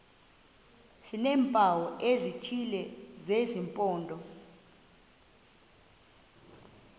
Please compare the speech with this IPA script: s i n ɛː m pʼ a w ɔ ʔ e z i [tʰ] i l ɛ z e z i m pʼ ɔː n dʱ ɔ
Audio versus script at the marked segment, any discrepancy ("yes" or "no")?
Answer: no